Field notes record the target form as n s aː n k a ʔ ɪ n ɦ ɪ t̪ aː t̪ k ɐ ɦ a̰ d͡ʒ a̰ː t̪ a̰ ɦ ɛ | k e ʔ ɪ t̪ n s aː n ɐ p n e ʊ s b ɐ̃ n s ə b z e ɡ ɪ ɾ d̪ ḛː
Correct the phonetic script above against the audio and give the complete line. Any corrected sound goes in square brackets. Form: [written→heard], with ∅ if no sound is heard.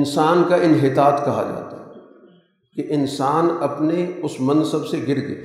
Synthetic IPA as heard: n s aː n k a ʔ ɪ n ɦ ɪ t̪ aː t̪ k ɐ ɦ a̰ d͡ʒ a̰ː t̪ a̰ ɦ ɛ | k e ʔ ɪ [t̪→∅] n s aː n ɐ p n e ʊ s [b→m] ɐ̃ n s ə b [z→s] e ɡ ɪ ɾ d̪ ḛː